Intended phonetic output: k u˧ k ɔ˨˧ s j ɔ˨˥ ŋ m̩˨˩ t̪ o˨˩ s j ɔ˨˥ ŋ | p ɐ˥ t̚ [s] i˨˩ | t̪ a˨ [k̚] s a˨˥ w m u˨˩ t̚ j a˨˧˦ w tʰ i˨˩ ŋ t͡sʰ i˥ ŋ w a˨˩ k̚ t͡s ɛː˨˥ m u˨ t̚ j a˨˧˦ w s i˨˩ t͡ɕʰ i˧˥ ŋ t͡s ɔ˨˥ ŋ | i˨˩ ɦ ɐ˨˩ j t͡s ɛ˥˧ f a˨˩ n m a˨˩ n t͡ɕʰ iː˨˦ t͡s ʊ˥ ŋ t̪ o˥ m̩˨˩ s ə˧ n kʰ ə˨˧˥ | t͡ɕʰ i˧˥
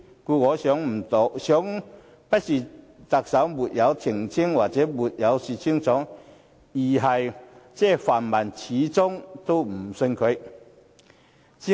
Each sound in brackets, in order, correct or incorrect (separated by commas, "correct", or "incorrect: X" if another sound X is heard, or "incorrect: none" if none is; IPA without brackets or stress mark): correct, correct